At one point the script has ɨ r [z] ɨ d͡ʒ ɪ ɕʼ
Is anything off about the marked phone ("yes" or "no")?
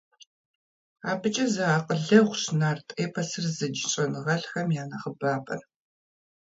no